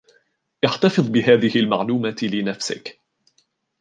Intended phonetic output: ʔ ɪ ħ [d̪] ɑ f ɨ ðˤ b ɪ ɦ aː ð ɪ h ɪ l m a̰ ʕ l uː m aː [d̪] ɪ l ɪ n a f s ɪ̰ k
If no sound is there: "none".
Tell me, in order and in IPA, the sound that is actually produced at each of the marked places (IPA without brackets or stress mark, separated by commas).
t̪, t̪